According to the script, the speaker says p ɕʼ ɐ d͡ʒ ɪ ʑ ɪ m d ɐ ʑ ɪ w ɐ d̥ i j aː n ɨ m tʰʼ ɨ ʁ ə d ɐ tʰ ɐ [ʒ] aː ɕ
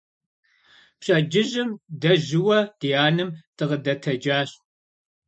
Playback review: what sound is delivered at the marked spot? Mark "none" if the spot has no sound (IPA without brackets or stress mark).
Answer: d͡ʒ